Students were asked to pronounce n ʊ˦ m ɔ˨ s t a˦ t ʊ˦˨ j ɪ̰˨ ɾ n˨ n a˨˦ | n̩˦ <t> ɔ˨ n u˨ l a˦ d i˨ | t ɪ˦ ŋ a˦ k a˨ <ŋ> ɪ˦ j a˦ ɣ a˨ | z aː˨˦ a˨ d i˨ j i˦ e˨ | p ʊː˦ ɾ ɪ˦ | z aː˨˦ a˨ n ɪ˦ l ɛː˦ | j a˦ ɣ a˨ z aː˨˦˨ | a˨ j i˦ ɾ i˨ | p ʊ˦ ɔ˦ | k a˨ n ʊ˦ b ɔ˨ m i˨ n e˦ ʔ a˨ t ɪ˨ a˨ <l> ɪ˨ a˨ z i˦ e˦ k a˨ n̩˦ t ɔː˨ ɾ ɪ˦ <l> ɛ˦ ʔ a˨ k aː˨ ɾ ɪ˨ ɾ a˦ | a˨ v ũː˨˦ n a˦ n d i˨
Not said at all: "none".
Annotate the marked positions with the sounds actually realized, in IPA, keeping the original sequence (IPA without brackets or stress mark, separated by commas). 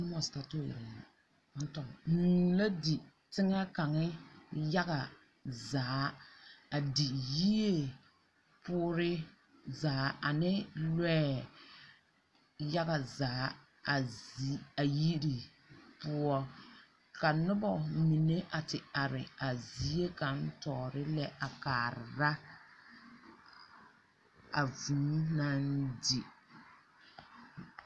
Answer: t, ŋ, ɾ, l